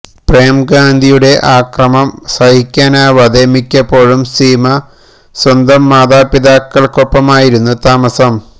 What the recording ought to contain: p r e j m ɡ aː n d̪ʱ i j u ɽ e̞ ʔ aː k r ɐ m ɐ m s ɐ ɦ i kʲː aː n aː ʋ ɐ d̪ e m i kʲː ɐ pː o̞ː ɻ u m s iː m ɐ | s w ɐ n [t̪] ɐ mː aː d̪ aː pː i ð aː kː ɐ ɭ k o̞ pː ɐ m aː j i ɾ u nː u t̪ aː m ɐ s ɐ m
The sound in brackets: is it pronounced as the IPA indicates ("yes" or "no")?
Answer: no